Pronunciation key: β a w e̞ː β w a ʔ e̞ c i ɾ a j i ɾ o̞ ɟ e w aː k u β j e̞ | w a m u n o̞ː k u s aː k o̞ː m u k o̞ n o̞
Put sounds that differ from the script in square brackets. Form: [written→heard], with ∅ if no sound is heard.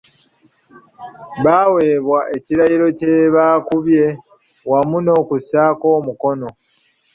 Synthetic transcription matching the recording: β a w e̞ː β w a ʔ e̞ c i ɾ a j i ɾ o̞ [ɟ→c] e [w→β] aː k u β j e̞ | w a m u n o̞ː k u s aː k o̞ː m u k o̞ n o̞